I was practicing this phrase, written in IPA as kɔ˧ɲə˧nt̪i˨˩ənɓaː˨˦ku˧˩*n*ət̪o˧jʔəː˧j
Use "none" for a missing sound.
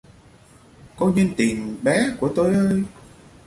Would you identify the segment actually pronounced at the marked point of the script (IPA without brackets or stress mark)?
none